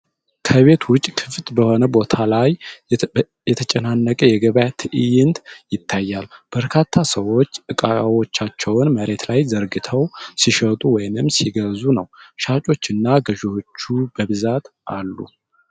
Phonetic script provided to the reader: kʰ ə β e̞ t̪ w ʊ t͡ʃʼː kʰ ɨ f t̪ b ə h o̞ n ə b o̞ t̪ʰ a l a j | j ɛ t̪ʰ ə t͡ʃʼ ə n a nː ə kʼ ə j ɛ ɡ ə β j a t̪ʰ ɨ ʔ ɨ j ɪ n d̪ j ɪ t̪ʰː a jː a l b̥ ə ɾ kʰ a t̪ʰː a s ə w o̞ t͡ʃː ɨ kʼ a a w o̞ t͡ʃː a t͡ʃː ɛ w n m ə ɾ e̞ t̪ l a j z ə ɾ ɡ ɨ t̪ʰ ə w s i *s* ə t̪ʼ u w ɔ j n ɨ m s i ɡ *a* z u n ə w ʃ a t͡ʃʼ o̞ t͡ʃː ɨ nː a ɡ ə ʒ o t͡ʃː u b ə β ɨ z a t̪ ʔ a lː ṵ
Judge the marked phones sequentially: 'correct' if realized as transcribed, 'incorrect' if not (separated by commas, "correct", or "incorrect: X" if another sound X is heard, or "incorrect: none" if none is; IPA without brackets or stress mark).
incorrect: ʃ, incorrect: ə